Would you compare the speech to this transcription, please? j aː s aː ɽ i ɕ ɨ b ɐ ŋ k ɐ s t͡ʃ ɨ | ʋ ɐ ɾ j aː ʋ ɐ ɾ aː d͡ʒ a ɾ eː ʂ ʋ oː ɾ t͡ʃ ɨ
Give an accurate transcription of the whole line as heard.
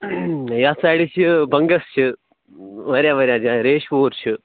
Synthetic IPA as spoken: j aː s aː ɽ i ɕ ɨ b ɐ ŋ ɡ ɐ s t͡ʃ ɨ | ʋ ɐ ɾ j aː ʋ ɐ ɾ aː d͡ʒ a ɾ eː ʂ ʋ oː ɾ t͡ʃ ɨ